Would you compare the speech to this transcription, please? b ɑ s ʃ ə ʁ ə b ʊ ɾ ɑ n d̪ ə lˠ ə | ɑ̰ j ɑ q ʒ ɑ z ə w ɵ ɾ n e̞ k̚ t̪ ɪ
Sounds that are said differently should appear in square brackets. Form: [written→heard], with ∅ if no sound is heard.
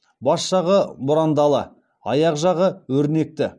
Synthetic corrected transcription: b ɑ s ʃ [ə→ɑ] ʁ ə b ʊ ɾ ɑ n d̪ [ə→ɑ] lˠ ə | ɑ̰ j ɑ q ʒ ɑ [z→ʁ] ə w ɵ ɾ n e̞ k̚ t̪ ɪ